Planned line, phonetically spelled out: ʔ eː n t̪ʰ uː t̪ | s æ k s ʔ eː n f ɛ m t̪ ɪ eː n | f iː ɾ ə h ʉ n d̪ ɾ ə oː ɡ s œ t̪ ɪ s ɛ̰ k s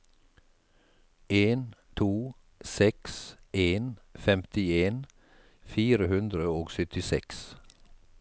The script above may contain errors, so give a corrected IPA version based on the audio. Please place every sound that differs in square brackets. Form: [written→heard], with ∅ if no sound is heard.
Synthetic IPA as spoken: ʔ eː n t̪ʰ uː [t̪→∅] | s [æ→ɛ] k s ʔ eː n f ɛ m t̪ ɪ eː n | f iː ɾ ə h ʉ n d̪ ɾ ə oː ɡ s œ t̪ ɪ s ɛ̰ k s